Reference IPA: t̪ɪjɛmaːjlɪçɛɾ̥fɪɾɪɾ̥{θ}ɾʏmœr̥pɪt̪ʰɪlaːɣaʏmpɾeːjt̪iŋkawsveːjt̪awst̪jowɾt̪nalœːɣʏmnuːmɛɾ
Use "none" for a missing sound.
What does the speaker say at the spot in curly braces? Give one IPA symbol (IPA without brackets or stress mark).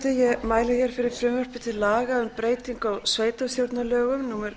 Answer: f